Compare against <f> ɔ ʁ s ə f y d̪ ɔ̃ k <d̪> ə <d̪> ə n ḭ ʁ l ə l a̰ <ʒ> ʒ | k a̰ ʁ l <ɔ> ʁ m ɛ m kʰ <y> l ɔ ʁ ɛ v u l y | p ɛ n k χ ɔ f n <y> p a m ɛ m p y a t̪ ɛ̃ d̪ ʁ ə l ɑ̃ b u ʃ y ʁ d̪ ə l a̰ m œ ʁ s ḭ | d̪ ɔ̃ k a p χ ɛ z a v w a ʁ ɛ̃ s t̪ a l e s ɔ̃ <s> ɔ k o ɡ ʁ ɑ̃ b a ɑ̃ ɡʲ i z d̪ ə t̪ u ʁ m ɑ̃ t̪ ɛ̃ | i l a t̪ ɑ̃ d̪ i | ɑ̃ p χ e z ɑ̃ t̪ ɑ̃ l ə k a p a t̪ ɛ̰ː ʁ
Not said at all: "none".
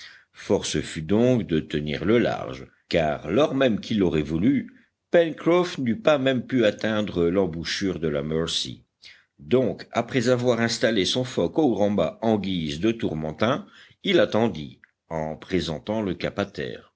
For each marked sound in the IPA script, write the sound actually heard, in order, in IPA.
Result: f, d̪, t̪, ʁ, ɔ, i, y, f

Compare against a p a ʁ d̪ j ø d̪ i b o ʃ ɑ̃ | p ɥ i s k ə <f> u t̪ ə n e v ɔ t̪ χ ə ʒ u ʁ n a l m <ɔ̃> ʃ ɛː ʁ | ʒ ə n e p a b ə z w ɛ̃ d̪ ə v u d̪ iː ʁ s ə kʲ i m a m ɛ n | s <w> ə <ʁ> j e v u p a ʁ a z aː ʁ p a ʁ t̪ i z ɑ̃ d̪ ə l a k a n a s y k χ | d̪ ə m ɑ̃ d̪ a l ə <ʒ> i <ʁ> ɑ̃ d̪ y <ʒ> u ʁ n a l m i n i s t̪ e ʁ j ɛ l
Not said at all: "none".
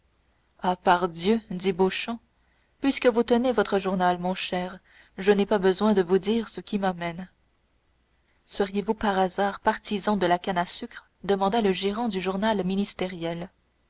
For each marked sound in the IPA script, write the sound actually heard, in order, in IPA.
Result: v, ɔ̃, w, ʁ, ʒ, ʁ, ʒ

